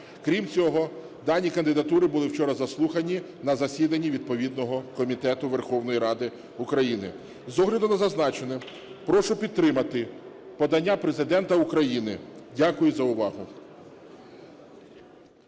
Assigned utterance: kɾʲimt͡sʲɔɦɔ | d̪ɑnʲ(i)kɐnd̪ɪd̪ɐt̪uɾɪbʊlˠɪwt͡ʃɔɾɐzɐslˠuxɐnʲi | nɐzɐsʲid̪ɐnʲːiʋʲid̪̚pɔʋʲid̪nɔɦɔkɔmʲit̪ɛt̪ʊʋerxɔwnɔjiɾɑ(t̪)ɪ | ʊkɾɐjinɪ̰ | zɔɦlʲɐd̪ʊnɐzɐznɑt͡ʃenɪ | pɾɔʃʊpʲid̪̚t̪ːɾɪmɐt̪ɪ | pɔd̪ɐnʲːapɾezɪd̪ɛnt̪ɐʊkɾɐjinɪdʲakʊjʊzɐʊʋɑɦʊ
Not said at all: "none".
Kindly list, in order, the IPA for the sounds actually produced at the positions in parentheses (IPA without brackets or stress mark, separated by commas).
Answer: i, d̪